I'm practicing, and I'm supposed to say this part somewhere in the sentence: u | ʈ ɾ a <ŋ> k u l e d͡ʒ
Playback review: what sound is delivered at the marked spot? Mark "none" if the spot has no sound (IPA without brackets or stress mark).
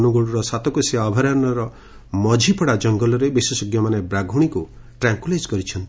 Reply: ŋ